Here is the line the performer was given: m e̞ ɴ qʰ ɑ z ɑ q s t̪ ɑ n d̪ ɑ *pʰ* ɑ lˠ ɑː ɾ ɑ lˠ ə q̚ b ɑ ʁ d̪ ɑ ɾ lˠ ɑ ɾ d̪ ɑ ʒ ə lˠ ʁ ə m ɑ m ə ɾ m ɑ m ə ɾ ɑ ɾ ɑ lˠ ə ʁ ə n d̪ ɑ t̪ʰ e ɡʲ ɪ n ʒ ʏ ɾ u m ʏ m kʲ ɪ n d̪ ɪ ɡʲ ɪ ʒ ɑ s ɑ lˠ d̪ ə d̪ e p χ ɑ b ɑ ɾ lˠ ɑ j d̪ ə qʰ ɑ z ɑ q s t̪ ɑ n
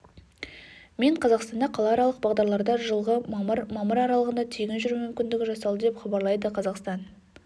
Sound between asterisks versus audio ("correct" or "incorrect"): incorrect